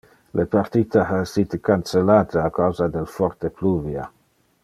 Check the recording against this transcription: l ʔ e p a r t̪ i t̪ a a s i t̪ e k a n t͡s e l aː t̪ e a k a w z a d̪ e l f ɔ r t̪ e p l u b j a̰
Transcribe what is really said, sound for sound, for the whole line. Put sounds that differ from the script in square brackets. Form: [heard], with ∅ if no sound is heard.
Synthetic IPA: l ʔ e p a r t̪ i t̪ a a s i t̪ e k a n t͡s e l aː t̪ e a k a w z a d̪ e l f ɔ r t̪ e p l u [v] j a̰